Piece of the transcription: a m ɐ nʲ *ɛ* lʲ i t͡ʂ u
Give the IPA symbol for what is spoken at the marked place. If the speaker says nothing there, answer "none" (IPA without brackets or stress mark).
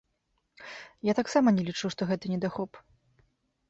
ɛ